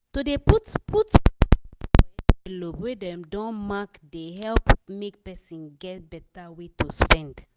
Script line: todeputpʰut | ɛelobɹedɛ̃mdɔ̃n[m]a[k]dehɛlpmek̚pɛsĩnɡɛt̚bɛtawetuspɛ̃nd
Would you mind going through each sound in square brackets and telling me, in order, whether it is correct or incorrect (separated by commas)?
correct, correct